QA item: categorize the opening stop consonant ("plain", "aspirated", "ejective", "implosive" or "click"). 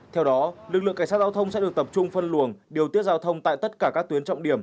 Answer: aspirated